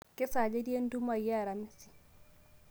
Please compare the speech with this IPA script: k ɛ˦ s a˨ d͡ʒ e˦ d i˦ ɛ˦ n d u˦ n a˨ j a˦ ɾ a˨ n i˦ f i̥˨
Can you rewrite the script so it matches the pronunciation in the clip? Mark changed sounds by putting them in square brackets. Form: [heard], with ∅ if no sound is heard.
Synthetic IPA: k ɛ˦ s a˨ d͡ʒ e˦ d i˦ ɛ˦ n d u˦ [m] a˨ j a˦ ɾ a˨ [m] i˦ [s] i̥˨